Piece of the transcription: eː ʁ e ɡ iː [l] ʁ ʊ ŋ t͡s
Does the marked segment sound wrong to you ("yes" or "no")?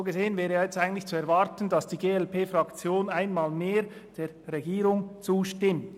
yes